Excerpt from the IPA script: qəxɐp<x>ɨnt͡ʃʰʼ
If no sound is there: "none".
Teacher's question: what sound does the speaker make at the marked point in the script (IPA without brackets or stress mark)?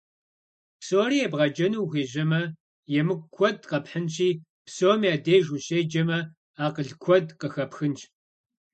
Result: x